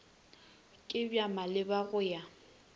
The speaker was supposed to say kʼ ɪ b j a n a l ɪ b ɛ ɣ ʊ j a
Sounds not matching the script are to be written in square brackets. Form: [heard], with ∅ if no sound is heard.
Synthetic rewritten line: kʼ ɪ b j a [m] a l ɪ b [a] ɣ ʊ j a